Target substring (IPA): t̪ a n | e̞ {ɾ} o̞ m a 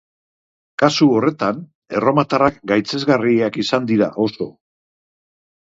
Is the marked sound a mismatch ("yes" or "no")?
yes